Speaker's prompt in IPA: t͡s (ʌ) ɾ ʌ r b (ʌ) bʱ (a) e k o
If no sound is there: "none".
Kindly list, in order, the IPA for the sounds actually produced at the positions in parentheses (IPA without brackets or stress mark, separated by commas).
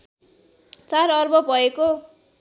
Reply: a, ʌ, ʌ